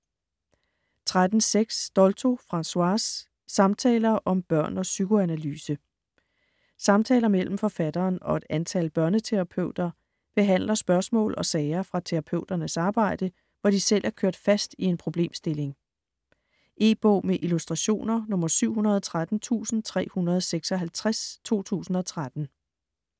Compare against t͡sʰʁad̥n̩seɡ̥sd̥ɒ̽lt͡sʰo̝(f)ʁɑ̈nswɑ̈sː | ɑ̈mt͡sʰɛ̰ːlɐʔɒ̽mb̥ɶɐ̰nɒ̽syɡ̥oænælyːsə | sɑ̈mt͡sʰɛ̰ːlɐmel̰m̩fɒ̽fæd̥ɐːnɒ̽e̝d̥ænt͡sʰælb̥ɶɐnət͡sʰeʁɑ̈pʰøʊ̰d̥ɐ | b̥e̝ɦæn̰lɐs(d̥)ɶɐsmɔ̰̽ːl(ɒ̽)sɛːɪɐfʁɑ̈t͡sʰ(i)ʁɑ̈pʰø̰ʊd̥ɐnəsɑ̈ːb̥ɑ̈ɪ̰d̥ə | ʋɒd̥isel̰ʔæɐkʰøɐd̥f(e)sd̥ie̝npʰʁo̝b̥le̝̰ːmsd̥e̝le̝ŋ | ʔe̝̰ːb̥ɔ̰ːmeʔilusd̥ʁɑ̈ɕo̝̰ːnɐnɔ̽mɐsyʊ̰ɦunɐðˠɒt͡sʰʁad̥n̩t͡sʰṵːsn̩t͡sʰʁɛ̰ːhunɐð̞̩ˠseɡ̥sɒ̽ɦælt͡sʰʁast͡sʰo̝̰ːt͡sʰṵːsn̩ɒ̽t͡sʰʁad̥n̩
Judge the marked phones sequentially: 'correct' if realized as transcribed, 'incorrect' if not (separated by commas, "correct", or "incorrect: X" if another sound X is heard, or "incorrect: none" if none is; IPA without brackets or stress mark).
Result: correct, incorrect: b̥, correct, incorrect: e, incorrect: æ